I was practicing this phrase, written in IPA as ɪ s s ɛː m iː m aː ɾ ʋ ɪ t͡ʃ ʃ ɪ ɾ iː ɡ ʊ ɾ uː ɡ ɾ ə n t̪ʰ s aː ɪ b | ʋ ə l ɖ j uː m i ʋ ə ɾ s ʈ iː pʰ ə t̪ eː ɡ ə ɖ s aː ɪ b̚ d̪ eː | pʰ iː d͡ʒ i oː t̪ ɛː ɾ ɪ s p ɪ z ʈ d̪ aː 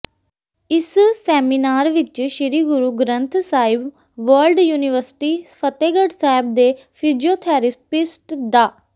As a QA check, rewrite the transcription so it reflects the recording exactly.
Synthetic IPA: ɪ s s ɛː m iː n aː ɾ ʋ ɪ t͡ʃ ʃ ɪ ɾ iː ɡ ʊ ɾ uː ɡ ɾ ə n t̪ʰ s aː ɪ b | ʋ ə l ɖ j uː n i ʋ ə ɾ s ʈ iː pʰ ə t̪ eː ɡ ə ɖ s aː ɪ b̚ d̪ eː | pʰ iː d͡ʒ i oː t̪ʰ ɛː ɾ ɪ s p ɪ s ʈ d̪ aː

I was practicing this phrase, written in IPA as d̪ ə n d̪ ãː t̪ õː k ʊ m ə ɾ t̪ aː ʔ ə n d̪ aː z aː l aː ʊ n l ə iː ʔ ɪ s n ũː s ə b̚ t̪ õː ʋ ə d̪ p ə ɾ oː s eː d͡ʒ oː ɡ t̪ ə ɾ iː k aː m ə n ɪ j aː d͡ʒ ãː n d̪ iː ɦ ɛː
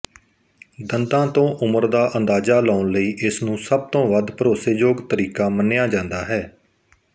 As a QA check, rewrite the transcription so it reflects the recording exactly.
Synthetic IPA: d̪ ə n d̪ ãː t̪ õː ʔ ʊ m ə ɾ d̪ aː ʔ ə n d̪ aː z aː l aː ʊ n l ə iː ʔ ɪ s n ũː s ə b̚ t̪ õː ʋ ə d̪ p ə ɾ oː s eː d͡ʒ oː ɡ t̪ ə ɾ iː k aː m ə n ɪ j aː d͡ʒ ãː n d̪ aː ɦ ɛː

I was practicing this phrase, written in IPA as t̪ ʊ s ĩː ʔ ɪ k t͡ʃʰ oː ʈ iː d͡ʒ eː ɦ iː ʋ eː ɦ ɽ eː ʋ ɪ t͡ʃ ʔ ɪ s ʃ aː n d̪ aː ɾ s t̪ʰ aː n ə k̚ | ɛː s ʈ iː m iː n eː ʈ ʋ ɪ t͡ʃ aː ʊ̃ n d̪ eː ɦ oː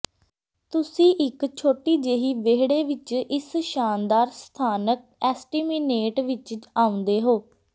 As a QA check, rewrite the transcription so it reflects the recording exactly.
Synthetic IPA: t̪ ʊ s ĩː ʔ ɪ k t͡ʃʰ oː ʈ iː d͡ʒ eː ɦ iː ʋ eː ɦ ɽ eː ʋ ɪ t͡ʃ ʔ ɪ s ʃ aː n d̪ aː ɾ s t̪ʰ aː n ə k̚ | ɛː s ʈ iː m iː n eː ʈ ʋ ɪ t͡ʃ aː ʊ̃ n d̪ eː ɦ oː

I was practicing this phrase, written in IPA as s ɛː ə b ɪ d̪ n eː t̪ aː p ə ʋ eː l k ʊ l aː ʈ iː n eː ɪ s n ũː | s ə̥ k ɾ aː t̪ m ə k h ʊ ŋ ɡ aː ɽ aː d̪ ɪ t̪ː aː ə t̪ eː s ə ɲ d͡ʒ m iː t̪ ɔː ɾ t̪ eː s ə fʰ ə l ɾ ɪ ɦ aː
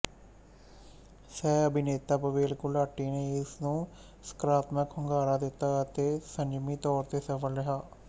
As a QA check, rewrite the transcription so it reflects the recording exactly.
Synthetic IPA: s ɛː ə b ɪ n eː t̪ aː p ə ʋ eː l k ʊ l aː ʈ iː n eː ɪ s n ũː | s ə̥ k ɾ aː t̪ m ə k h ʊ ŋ ɡ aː ɾ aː d̪ ɪ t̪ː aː ə t̪ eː s ə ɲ d͡ʒ m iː t̪ ɔː ɾ t̪ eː s ə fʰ ə l ɾ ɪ ɦ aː

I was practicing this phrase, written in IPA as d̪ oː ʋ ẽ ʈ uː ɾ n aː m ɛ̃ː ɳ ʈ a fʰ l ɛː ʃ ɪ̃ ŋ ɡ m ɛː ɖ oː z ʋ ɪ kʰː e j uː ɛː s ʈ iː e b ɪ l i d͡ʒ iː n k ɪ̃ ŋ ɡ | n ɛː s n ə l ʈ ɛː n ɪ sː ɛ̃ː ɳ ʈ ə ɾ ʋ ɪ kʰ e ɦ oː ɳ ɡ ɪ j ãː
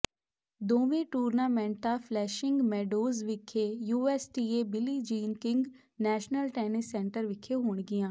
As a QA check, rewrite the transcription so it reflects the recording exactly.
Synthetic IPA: d̪ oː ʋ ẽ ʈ uː ɾ n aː m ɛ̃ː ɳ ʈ a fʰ l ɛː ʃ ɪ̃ ŋ ɡ m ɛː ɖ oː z ʋ ɪ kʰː e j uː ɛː s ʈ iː e b ɪ l i d͡ʒ iː n k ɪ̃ ŋ ɡ | n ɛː ʃ n ə l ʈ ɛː n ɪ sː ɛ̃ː ɳ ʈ ə ɾ ʋ ɪ kʰ e ɦ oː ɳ ɡ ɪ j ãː

